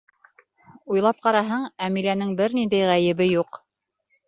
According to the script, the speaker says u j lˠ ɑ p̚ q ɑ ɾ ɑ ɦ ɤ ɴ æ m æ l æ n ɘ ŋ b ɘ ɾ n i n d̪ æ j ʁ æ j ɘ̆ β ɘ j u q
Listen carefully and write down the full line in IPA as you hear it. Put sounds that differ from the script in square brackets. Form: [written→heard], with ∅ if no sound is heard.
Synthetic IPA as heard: u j lˠ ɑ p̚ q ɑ ɾ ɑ ɦ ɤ ɴ æ m [æ→i] l æ n ɘ ŋ b ɘ ɾ n i n d̪ æ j ʁ æ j ɘ̆ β ɘ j u q